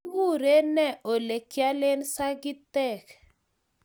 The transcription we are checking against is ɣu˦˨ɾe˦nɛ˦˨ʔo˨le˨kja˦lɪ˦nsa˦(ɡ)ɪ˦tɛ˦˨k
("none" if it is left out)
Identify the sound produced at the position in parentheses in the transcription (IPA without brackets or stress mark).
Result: ɡ